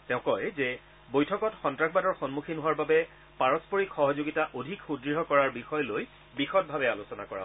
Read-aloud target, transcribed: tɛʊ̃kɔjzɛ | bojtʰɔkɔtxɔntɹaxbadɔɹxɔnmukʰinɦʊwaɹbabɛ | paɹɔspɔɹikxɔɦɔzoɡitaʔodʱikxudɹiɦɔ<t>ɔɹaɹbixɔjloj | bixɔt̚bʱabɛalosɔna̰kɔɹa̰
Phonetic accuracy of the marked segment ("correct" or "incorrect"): incorrect